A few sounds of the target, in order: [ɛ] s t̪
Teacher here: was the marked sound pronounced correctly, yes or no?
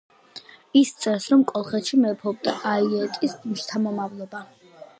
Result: no